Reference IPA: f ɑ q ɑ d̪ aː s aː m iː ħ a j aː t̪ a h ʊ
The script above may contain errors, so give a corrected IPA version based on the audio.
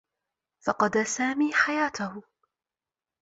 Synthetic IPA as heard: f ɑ q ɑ d̪ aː s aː m iː ħ a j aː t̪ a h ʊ